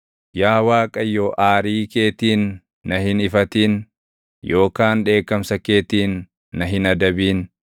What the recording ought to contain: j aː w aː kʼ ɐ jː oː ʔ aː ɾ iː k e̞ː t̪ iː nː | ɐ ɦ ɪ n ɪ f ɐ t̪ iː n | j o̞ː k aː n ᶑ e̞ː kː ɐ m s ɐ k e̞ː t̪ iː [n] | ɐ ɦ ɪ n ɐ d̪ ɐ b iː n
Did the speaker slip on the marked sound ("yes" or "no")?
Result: yes